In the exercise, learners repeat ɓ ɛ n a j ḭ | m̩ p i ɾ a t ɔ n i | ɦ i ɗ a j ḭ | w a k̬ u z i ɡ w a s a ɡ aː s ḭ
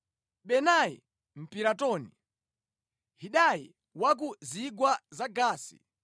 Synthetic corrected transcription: ɓ ɛ n a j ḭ | m̩ p i ɾ a t ɔ n i | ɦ i ɗ a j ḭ | w a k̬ u z i ɡ w a z a ɡ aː s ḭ